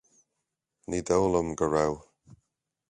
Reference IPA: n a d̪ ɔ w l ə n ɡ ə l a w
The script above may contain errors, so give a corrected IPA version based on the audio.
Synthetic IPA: n i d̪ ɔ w l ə m ɡ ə ɹ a w